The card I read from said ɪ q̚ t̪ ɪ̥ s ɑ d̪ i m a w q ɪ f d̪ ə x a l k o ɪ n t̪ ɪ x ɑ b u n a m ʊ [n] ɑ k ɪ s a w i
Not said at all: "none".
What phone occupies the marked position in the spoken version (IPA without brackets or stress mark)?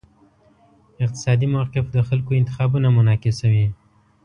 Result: n